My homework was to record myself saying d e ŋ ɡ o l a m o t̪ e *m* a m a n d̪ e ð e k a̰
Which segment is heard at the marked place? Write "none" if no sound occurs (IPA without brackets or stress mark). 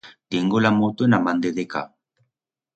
n